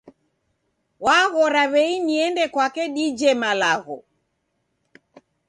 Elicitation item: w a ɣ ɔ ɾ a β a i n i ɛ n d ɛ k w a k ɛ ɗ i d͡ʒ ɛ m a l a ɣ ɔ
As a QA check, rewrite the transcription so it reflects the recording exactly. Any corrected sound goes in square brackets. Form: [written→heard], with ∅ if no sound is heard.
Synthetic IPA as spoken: w a ɣ ɔ ɾ a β [a→ɛ] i n i ɛ n d ɛ k w a k ɛ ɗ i d͡ʒ ɛ m a l a ɣ ɔ